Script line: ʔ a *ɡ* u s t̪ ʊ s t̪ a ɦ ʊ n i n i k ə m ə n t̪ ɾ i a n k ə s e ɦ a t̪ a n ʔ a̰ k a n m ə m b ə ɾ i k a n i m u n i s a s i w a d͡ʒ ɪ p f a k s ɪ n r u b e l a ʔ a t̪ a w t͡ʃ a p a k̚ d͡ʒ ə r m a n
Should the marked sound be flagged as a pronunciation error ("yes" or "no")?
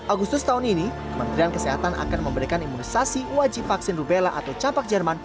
no